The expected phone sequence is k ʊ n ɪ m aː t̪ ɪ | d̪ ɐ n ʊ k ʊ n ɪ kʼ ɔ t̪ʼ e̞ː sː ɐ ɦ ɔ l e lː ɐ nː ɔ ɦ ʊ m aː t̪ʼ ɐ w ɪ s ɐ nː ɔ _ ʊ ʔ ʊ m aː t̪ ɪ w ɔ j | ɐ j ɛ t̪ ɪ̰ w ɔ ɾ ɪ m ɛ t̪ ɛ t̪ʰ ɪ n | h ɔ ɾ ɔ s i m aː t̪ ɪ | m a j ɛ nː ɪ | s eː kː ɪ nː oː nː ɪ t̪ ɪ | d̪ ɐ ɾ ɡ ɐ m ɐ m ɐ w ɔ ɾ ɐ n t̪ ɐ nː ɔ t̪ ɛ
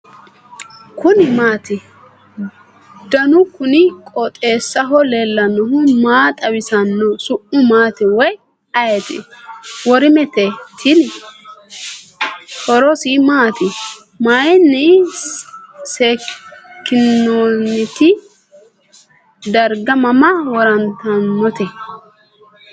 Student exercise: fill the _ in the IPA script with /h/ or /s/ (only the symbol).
s